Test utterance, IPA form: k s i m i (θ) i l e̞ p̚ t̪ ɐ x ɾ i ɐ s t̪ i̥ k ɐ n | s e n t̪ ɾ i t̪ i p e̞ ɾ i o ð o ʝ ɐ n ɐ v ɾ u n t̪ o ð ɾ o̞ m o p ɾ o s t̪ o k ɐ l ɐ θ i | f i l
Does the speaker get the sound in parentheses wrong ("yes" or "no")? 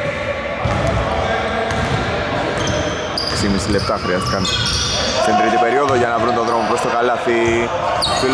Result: yes